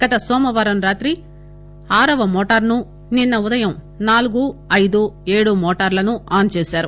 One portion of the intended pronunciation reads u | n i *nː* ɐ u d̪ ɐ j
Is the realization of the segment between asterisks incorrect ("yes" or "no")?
no